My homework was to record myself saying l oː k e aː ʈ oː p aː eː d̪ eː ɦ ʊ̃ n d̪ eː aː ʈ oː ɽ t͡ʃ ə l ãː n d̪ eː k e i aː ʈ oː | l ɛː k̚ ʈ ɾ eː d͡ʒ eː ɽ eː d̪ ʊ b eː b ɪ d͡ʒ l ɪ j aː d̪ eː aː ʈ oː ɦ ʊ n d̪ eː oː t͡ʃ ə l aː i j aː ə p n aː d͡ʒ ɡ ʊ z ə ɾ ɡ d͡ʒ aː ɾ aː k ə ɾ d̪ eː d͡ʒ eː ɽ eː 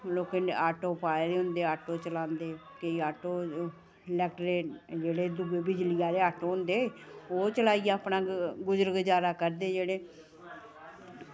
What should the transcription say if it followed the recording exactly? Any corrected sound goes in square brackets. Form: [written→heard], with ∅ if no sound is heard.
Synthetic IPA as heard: l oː k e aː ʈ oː p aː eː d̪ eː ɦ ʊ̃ n d̪ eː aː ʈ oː [ɽ→∅] t͡ʃ ə l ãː n d̪ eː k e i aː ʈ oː | l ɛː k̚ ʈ ɾ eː d͡ʒ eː ɽ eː d̪ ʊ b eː b ɪ d͡ʒ l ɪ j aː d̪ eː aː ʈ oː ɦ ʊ n d̪ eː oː t͡ʃ ə l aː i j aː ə p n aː [d͡ʒ→∅] ɡ ʊ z ə ɾ ɡ d͡ʒ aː ɾ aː k ə ɾ d̪ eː d͡ʒ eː ɽ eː